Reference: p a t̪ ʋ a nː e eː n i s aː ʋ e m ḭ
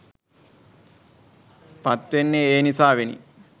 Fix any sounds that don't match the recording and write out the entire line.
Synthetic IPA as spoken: p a t̪ ʋ e nː e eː n i s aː ʋ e n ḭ